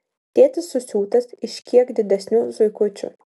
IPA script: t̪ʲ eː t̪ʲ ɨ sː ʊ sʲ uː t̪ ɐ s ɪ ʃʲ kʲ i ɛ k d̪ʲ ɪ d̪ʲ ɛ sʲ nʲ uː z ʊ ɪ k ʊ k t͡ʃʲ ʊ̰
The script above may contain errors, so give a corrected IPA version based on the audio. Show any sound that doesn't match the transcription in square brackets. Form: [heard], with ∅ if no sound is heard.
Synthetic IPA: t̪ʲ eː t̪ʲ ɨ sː ʊ sʲ uː t̪ ɐ s ɪ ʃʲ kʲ i ɛ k d̪ʲ ɪ d̪ʲ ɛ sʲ nʲ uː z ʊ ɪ k ʊ [∅] t͡ʃʲ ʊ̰